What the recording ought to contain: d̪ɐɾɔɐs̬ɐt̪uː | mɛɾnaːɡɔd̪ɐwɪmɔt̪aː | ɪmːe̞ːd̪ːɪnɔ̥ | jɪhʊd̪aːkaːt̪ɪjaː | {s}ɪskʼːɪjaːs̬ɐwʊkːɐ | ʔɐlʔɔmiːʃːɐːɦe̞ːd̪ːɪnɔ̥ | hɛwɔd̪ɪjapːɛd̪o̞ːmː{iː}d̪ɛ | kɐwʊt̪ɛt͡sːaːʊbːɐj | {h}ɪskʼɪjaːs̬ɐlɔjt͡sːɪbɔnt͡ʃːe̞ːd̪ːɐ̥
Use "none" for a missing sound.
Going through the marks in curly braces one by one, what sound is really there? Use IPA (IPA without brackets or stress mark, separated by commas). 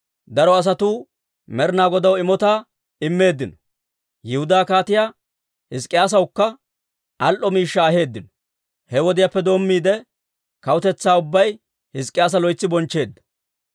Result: h, iː, h